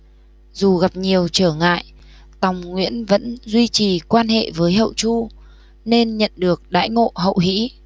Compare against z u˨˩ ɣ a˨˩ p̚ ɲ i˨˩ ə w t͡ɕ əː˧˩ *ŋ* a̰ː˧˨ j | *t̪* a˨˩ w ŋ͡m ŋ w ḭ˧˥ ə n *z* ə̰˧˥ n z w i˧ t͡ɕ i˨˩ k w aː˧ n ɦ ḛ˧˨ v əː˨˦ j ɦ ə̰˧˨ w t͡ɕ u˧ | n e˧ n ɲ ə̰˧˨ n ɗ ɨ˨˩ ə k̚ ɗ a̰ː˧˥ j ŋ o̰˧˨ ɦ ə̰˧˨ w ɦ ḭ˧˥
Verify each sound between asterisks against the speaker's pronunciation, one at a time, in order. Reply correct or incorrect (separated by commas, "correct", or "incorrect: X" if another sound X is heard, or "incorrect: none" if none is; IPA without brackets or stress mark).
correct, correct, incorrect: v